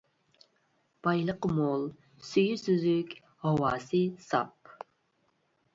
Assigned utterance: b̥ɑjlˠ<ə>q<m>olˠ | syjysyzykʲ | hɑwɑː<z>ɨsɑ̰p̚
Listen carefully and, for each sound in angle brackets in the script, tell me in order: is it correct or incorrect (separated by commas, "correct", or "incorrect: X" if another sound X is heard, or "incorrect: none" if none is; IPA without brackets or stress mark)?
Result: correct, correct, incorrect: s